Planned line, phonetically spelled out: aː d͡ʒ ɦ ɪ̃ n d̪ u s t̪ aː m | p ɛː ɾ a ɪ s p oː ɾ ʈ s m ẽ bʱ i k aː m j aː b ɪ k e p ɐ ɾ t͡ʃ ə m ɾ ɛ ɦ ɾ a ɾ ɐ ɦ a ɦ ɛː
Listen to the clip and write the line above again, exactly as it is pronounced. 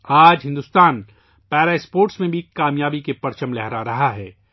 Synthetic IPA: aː d͡ʒ ɦ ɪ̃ n d̪ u s t̪ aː n | p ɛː ɾ a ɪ s p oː ɾ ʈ s m ẽ bʱ i k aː m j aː b i k e p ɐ ɾ t͡ʃ ə m l ɛ ɦ ɾ a ɾ ɐ ɦ a ɦ ɛː

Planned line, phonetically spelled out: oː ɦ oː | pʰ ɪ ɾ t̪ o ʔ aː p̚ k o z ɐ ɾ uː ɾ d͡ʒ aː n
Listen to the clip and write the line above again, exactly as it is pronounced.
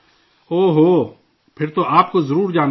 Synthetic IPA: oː ɦ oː | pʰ ɪ ɾ t̪ o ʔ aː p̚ k o z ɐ ɾ uː ɾ d͡ʒ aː n

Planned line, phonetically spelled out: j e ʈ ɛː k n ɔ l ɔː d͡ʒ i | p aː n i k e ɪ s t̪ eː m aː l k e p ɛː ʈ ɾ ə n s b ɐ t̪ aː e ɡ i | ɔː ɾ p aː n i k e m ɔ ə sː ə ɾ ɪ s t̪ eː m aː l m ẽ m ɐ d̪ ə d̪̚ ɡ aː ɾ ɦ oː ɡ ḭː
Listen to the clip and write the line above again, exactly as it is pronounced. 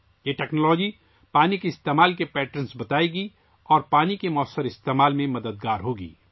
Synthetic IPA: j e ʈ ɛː k n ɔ l ɔː d͡ʒ i | p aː n i k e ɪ s t̪ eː m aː l k e p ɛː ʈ ɾ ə n s b ɐ t̪ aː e ɡ i | ɔː ɾ p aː n i k e m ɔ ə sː ə ɾ ɪ s t̪ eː m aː l m ẽ m ɐ d̪ ə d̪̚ ɡ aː ɾ ɦ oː ɡ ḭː

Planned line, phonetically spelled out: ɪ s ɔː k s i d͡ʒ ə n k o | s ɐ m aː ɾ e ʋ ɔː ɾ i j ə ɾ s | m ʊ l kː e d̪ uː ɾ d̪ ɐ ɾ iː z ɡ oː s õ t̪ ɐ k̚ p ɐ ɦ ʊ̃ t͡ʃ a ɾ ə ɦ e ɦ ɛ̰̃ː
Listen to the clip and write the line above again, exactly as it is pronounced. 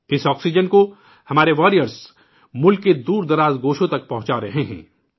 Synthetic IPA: ɪ s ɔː k s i d͡ʒ ə n k o | h ɐ m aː ɾ e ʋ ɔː ɾ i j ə ɾ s | m ʊ l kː e d̪ uː ɾ d̪ ɐ ɾ aː z ɡ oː ʃ õ t̪ ɐ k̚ p ɐ ɦ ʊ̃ t͡ʃ a ɾ ɐ ɦ e ɦ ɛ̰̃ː

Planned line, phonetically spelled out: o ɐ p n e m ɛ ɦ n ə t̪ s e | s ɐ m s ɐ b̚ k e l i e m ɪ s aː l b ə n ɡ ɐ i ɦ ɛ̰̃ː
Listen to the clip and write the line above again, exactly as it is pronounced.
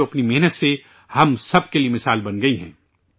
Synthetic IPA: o ɐ p n i m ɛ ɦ n ə t̪ s e | h ɐ m s ɐ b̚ k e l i e m ɪ s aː l b ɐ n ɡ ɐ i ɦ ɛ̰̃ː

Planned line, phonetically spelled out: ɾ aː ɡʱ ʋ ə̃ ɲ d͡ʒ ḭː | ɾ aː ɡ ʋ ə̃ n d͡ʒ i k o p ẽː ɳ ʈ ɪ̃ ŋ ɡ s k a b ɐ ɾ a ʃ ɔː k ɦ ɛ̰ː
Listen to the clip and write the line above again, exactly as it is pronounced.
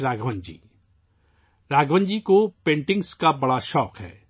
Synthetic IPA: ɾ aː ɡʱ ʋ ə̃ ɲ d͡ʒ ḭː | ɾ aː ɡ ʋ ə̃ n d͡ʒ i k o p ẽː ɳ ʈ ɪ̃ ŋ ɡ s k a b ɐ ɽ a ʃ ɔː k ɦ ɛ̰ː

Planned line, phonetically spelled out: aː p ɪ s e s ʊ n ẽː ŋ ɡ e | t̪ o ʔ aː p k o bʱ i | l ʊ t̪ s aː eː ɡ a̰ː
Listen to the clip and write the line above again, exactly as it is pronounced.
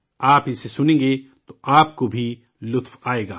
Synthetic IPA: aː p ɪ s e s ʊ n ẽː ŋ ɡ e | t̪ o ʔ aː p k o bʱ i | l ʊ t̪ f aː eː ɡ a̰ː

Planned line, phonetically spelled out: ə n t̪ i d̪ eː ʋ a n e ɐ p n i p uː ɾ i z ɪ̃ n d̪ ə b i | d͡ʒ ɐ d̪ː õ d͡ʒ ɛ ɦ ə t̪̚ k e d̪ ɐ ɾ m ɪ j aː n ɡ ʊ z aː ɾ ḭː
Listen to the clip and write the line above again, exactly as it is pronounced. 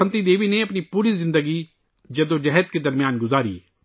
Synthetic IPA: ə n t̪ i d̪ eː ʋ i n e ɐ p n i p uː ɾ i z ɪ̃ n d̪ ə ɡ i | d͡ʒ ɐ d̪ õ d͡ʒ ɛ ɦ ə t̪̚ k e d̪ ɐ ɾ m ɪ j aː n ɡ ʊ z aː ɾ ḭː

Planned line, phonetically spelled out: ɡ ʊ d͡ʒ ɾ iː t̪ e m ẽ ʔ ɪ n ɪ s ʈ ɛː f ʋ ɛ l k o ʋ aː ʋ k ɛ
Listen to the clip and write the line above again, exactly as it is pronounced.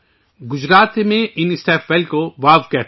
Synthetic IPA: ɡ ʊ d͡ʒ ɾ aː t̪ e m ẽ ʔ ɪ n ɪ s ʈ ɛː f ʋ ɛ l k o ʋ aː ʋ k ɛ

